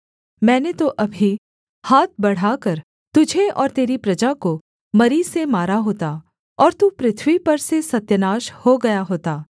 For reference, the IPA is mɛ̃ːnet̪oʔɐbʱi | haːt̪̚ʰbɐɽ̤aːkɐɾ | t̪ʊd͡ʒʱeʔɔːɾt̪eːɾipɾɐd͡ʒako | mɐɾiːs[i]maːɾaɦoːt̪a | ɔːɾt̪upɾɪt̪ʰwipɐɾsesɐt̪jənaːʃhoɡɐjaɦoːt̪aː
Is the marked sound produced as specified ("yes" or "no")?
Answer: no